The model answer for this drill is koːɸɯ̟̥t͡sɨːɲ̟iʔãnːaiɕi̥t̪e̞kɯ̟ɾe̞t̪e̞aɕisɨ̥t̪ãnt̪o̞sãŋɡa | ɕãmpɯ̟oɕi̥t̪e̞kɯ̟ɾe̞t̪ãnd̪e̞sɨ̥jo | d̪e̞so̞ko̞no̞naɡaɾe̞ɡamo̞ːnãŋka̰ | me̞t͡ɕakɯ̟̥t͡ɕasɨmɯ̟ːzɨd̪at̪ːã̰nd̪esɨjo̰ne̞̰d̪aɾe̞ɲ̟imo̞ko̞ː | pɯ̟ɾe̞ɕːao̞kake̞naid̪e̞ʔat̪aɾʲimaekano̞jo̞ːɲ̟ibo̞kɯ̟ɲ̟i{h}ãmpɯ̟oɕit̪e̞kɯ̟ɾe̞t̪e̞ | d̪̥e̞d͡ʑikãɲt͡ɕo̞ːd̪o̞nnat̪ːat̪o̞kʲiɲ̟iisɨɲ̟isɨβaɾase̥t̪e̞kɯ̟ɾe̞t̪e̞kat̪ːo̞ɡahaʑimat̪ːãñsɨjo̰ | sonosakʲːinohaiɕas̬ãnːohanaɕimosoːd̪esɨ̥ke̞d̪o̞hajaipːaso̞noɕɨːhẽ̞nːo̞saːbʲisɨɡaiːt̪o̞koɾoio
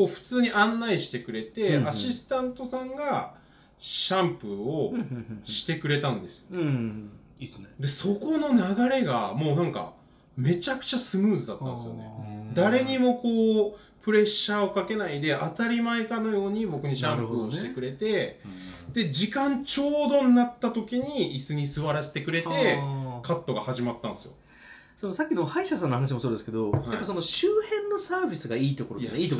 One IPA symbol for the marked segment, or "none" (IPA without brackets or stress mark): ɕ